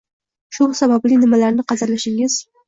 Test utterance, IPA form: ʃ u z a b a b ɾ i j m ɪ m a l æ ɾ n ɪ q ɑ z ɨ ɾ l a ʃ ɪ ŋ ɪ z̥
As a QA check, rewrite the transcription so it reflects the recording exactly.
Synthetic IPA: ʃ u s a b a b l i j n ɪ m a l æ ɾ n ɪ q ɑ z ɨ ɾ l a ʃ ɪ ŋ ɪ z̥